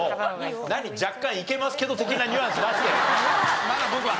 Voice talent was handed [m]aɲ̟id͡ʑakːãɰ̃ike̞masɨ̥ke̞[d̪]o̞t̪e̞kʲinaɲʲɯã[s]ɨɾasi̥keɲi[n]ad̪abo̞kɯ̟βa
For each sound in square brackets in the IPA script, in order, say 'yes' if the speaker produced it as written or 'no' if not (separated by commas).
no, yes, yes, no